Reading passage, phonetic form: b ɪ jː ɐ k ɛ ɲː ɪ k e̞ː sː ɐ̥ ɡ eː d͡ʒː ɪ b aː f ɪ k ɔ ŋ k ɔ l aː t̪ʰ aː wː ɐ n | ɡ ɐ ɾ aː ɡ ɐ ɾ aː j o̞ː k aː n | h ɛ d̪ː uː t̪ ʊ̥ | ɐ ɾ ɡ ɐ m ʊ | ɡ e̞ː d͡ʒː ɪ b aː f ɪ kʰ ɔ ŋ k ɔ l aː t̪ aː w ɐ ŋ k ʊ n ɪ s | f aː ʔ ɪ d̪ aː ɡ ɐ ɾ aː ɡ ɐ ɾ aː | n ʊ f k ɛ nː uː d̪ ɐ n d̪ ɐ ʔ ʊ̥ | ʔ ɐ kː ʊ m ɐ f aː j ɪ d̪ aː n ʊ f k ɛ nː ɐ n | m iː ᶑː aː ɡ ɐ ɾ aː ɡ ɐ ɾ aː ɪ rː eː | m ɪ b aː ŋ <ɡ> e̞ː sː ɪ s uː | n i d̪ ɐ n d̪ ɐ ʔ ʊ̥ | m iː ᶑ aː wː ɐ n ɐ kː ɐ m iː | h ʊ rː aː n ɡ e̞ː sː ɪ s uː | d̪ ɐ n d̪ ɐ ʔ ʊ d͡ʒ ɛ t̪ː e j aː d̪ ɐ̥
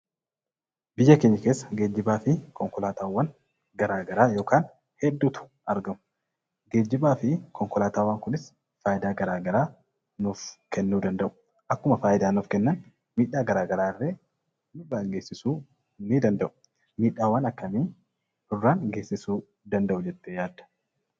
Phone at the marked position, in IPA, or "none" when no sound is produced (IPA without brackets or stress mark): ɡ